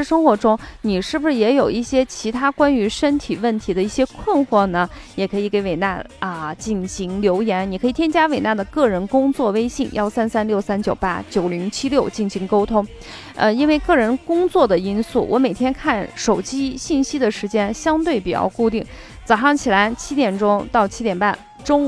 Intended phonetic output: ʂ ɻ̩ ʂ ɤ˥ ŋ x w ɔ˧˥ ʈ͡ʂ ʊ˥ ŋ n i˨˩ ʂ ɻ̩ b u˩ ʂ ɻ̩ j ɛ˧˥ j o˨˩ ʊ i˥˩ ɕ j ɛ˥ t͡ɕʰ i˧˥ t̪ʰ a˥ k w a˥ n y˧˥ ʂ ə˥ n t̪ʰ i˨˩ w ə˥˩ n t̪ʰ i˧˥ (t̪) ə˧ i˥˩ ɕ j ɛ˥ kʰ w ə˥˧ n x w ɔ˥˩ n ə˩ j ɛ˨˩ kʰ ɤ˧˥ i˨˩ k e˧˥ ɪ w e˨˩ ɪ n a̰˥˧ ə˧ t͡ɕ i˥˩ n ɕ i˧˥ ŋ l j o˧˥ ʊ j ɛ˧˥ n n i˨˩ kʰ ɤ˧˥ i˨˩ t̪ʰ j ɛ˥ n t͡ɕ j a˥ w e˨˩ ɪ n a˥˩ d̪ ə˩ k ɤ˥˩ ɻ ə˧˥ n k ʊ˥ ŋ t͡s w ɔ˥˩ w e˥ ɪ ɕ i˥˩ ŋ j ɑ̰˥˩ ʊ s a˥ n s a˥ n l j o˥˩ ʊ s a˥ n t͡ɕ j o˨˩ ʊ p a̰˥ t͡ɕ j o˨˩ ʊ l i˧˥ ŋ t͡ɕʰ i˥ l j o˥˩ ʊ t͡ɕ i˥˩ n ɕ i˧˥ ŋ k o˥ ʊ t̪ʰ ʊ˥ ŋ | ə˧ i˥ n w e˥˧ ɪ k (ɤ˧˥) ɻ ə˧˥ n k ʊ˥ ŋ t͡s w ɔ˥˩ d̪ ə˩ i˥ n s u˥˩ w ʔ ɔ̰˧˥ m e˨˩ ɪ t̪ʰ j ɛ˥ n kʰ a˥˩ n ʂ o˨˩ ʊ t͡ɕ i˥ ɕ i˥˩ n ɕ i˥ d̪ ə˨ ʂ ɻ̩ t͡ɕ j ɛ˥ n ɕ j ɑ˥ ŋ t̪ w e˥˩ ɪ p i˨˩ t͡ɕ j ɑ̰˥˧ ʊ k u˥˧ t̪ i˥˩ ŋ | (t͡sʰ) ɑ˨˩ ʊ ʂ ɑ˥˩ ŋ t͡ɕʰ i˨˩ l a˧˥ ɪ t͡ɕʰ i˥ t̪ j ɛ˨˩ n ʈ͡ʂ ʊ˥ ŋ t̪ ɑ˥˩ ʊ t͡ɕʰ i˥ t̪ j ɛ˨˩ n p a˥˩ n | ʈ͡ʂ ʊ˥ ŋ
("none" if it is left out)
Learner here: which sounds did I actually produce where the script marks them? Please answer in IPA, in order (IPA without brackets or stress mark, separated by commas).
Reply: d̪, ɤ˥˩, t͡s